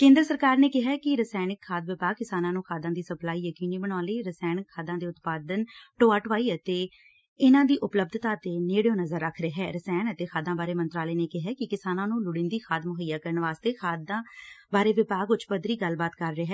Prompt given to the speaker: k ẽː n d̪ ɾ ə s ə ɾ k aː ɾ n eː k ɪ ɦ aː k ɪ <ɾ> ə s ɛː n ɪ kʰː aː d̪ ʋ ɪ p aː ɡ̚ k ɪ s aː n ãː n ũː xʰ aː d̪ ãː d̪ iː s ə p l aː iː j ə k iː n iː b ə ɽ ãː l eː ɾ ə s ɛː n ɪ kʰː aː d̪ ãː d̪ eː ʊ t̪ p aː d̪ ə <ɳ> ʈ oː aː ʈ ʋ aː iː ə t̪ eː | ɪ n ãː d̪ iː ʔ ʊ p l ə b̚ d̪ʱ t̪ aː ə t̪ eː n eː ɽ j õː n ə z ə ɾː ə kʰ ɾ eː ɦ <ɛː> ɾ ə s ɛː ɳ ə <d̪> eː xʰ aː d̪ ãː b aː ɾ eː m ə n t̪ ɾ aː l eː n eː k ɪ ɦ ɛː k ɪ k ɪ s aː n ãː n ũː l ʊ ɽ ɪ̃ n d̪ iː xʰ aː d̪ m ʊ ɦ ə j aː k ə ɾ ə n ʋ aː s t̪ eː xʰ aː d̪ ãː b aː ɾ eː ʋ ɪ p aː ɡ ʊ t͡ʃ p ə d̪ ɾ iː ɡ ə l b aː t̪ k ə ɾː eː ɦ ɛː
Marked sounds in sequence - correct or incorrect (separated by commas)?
correct, incorrect, correct, incorrect